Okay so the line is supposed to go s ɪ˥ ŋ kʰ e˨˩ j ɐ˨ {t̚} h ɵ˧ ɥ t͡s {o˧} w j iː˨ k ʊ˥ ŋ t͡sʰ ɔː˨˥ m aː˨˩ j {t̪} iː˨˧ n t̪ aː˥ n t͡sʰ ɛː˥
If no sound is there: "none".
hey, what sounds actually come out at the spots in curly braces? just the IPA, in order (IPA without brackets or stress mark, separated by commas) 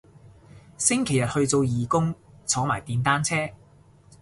t̚, o˧, t̪